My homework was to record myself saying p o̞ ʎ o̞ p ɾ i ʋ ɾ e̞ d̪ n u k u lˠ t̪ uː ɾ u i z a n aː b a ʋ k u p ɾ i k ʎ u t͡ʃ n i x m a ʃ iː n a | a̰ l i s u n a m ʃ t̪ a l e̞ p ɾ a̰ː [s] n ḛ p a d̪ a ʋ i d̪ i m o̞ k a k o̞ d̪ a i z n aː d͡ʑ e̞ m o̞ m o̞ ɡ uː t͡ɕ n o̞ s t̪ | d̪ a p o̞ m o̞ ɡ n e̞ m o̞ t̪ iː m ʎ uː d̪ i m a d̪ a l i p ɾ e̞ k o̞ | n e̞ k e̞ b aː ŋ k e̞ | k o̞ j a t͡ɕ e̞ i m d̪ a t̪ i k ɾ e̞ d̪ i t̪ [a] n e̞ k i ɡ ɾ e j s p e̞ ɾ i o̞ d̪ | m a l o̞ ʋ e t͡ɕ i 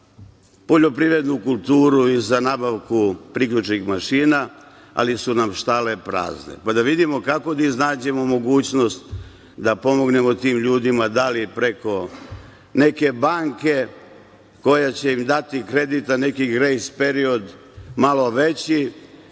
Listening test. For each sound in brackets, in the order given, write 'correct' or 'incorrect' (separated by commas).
incorrect, correct